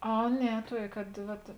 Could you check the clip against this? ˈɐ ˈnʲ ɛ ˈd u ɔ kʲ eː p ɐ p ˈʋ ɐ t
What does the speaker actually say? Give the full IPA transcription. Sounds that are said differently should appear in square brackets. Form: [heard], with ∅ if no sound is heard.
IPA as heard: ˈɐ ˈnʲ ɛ [ˈt] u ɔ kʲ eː [k] ɐ [t] ˈʋ ɐ t